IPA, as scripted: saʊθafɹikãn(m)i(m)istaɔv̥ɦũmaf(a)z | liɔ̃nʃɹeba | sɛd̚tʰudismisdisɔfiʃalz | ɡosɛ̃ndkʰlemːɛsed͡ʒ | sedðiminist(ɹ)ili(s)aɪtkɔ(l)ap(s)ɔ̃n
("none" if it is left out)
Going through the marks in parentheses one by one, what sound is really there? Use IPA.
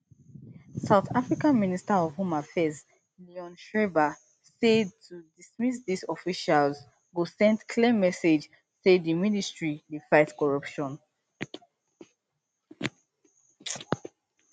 m, n, ɛ, ɹ, f, ɹ, ʃ

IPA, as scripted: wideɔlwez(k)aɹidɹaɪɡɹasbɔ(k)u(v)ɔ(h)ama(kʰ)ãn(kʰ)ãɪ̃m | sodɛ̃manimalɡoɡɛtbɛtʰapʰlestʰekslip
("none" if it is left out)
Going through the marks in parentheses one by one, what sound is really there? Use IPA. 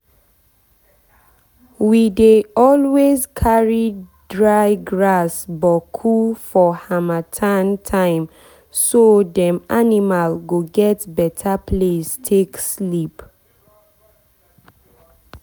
kʰ, kʰ, f, h, tʰ, tʰ

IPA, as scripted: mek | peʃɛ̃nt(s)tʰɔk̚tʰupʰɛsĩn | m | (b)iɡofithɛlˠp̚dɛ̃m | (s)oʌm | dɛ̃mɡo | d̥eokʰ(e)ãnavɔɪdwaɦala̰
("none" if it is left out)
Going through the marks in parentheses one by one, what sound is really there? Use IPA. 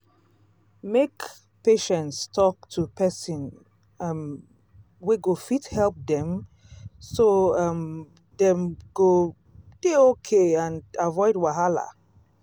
s, w, s, e

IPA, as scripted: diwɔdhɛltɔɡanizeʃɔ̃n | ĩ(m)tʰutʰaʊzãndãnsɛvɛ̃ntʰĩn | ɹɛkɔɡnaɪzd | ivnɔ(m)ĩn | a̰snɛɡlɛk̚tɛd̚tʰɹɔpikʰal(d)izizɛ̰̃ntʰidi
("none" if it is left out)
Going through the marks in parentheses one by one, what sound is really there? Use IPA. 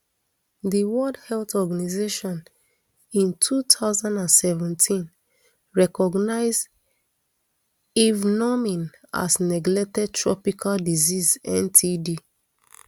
n, m, d

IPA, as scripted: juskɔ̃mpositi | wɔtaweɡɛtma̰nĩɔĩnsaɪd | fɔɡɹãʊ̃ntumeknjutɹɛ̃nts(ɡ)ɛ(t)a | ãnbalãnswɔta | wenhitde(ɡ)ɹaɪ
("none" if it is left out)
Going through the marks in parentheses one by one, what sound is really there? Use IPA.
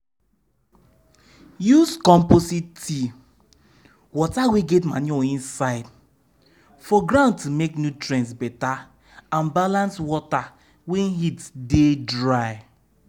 b, t, d

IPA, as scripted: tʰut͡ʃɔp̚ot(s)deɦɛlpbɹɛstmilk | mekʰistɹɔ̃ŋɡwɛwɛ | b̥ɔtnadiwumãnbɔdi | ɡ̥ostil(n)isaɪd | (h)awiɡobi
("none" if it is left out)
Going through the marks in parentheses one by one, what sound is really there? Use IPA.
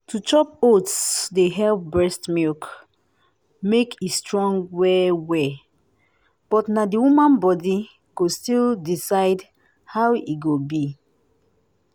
s, d, h

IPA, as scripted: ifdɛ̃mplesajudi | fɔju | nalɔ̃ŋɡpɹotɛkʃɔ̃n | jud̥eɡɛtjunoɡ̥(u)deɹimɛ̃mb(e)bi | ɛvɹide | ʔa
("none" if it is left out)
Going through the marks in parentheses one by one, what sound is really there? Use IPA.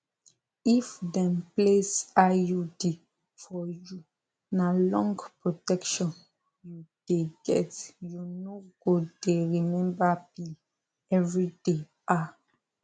o, a

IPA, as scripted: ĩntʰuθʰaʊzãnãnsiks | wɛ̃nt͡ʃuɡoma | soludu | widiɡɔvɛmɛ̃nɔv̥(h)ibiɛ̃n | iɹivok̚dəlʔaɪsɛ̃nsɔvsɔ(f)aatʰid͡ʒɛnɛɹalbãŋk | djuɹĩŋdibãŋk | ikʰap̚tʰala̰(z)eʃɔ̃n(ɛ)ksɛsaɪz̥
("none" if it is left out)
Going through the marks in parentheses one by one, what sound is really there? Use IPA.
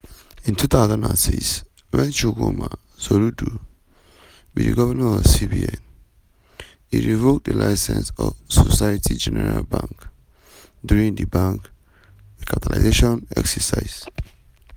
s, s, z, ɛ

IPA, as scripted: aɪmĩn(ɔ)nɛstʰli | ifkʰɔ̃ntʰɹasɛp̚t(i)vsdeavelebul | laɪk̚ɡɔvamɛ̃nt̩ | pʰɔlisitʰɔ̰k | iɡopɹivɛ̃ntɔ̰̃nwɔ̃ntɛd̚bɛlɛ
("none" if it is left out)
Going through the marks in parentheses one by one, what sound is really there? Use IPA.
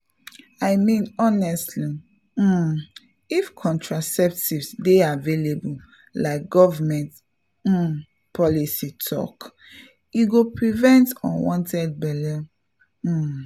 ɔ, i

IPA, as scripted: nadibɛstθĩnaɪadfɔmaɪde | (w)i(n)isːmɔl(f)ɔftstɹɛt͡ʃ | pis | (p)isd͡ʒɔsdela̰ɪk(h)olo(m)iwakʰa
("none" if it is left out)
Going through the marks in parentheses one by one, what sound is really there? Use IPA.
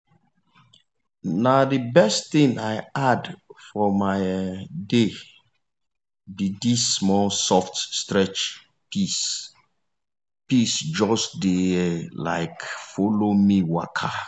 b, d, s, p, f, m

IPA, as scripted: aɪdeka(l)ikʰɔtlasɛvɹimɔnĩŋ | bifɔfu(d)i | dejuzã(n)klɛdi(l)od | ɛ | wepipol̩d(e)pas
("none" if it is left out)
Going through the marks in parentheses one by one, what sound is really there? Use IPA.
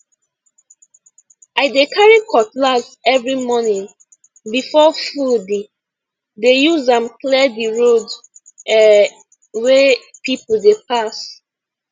ɹ, d, m, ɹ, e

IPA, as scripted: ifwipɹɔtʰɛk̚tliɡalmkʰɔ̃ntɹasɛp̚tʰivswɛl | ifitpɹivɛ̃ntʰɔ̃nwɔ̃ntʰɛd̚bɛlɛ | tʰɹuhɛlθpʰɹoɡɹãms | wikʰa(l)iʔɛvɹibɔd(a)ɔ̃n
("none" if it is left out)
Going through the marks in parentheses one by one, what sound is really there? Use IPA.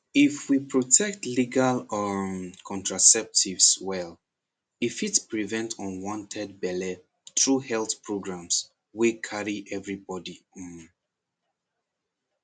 ɹ, i

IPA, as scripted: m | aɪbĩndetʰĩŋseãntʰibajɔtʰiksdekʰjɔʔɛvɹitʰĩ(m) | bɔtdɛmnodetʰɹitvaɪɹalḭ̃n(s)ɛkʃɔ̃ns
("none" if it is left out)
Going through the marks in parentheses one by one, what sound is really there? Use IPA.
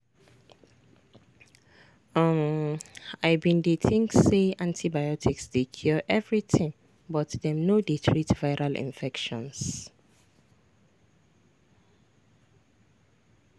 ŋ, f

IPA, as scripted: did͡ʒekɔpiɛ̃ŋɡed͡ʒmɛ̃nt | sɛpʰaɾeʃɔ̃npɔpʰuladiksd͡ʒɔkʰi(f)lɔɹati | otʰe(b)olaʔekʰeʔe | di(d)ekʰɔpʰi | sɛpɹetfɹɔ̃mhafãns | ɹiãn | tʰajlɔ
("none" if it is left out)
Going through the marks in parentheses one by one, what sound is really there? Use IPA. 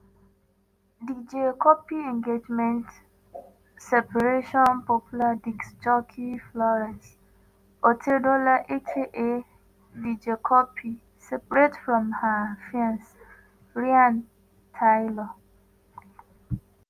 f, d, d͡ʒ

